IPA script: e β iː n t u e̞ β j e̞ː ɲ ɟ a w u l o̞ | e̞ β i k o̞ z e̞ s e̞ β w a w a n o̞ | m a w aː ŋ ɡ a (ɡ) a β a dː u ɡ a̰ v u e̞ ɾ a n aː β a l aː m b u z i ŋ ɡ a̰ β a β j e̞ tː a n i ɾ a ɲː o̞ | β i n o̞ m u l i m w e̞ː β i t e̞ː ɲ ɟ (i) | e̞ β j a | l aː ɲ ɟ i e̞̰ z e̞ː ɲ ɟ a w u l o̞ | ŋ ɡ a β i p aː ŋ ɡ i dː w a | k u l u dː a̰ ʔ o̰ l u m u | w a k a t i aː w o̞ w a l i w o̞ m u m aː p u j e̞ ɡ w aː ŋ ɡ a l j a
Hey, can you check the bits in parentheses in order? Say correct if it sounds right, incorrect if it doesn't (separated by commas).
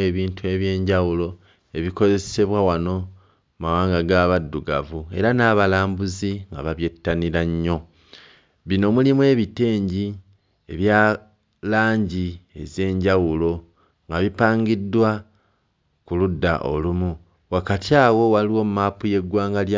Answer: correct, correct